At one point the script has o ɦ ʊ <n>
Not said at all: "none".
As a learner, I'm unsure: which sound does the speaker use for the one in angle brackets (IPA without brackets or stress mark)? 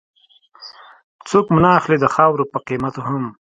m